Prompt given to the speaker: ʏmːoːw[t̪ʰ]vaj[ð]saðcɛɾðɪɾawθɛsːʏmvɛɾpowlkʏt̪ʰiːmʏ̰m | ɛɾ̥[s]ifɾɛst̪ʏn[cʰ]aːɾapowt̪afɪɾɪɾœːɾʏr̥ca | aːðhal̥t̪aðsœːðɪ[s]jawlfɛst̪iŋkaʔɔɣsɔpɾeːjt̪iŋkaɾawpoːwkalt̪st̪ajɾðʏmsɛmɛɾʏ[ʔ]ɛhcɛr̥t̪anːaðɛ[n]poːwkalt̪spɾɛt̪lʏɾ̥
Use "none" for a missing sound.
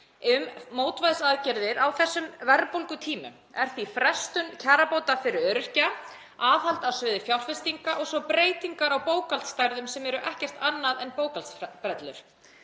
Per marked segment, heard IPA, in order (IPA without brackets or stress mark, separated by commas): t̪, ð, θ, cʰ, f, ʔ, n